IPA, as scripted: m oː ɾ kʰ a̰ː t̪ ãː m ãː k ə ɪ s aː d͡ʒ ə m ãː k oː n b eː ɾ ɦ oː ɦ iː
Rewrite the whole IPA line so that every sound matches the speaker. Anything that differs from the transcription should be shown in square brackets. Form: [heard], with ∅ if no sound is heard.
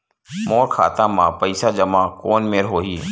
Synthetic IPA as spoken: m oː ɾ kʰ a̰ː t̪ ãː m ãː [p] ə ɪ s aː d͡ʒ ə m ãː k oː n [m] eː ɾ ɦ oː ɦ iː